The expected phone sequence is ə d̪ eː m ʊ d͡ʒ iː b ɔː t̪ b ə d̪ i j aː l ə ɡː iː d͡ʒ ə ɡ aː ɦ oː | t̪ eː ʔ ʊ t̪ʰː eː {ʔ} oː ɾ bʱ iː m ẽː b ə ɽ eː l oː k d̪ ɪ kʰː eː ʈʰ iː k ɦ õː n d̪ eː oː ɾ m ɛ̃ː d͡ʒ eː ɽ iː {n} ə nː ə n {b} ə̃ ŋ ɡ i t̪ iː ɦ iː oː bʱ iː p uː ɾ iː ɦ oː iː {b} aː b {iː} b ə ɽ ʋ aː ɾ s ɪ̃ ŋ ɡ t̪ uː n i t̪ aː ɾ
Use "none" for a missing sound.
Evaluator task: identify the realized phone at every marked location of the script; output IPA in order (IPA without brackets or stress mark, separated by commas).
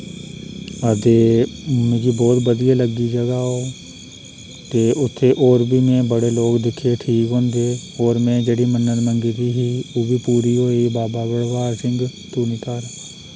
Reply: ʔ, m, m, b, aː